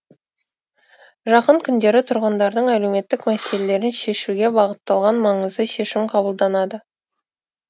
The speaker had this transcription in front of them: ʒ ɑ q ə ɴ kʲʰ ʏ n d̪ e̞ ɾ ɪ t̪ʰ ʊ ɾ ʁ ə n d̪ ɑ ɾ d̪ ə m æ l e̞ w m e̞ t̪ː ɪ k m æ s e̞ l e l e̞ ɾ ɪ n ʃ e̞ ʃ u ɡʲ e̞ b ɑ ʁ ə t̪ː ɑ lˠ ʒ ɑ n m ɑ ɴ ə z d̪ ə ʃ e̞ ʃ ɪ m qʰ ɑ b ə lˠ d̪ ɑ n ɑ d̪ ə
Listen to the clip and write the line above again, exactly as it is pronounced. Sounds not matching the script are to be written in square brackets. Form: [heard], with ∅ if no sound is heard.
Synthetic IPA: ʒ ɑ q ə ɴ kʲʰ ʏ n d̪ e̞ ɾ ɪ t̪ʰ ʊ ɾ ʁ ə n d̪ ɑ ɾ d̪ ə [ɴ] æ l e̞ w m e̞ t̪ː ɪ k m æ s e̞ l e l e̞ ɾ ɪ n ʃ e̞ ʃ u ɡʲ e̞ b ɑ ʁ ə t̪ː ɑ lˠ [ʁ] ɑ n m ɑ ɴ ə z d̪ ə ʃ e̞ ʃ ɪ m qʰ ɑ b ə lˠ d̪ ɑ n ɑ d̪ ə